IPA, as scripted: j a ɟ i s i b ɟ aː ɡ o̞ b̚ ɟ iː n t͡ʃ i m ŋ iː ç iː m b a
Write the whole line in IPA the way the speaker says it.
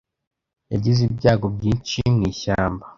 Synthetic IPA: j a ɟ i z i b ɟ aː ɡ o̞ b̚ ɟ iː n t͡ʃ i m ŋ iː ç aː m b a